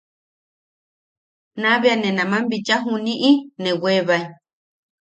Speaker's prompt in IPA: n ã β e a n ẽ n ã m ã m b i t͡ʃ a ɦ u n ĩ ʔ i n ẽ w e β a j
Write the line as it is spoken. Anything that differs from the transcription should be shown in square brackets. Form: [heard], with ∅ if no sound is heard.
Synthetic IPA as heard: n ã β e a n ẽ n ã m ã m b i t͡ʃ a ɦ u n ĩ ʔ i n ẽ w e β a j